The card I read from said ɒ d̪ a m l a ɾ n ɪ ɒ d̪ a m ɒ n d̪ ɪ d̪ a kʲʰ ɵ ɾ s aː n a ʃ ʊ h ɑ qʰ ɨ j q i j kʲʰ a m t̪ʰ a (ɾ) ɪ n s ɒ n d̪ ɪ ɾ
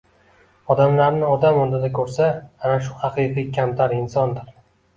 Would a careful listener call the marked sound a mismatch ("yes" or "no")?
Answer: no